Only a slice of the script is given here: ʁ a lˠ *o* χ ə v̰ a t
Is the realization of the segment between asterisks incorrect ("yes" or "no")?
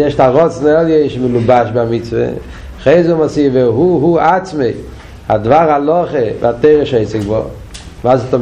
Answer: yes